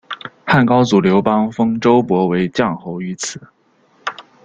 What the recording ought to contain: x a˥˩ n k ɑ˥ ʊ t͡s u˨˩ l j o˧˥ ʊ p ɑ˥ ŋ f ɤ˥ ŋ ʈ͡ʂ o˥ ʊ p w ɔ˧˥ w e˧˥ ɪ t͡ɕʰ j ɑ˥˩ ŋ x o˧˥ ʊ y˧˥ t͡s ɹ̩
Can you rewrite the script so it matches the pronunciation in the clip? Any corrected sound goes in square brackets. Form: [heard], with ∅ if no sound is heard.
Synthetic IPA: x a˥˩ n k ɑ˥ ʊ t͡s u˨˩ l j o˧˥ ʊ p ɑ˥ ŋ f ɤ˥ ŋ ʈ͡ʂ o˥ ʊ p w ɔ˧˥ w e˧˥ ɪ [t͡ɕ] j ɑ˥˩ ŋ x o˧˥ ʊ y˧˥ [t͡sʰ] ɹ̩